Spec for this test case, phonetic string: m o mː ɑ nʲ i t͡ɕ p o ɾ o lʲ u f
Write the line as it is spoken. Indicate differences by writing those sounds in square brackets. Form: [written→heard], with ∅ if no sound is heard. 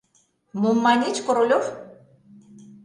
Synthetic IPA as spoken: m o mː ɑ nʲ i t͡ɕ [p→k] o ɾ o lʲ [u→o] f